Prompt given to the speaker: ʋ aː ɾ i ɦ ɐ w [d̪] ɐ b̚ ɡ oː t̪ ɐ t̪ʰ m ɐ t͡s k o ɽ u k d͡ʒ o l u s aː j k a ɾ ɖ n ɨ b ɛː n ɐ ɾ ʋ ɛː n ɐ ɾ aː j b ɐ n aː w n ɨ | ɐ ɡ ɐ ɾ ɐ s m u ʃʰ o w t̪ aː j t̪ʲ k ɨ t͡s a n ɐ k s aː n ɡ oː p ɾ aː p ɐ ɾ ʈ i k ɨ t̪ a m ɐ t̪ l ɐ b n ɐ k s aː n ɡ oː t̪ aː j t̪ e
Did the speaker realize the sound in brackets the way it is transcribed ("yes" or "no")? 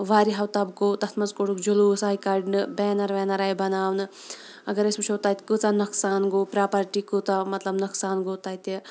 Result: no